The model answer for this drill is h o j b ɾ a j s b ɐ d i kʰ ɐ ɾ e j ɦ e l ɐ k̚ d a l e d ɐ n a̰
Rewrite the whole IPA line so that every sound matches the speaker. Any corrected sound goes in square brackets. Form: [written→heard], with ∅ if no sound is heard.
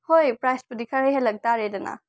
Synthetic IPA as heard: h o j [b→p] ɾ a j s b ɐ d i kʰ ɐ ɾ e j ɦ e l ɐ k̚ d a [l→ɾ] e d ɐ n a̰